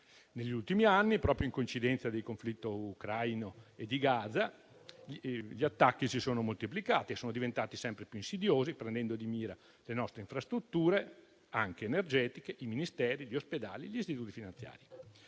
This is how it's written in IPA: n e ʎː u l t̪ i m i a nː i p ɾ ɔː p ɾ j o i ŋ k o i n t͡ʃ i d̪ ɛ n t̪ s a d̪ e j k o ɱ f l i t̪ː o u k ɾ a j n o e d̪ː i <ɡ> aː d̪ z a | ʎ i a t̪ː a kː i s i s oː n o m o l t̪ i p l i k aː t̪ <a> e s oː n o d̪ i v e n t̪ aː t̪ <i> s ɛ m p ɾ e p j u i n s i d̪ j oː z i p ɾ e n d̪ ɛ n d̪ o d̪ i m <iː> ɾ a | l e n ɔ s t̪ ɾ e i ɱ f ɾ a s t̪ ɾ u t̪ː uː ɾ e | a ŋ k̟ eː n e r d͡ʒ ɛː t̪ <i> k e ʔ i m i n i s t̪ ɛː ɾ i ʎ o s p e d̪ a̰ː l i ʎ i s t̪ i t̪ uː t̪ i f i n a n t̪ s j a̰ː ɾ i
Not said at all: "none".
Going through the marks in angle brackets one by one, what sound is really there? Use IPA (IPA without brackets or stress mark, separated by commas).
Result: ɡ, i, i, iː, i